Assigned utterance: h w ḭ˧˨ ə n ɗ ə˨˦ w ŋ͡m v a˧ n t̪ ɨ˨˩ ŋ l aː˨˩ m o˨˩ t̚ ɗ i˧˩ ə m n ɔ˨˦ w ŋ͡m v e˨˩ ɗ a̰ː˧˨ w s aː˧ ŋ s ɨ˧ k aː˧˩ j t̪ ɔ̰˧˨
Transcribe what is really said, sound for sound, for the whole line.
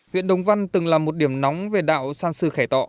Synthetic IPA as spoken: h w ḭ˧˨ ə n ɗ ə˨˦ w ŋ͡m v a˧ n t̪ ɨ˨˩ ŋ l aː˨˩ m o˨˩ t̚ ɗ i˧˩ ə m n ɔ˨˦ w ŋ͡m v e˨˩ ɗ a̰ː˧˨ w s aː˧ n s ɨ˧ x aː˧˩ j t̪ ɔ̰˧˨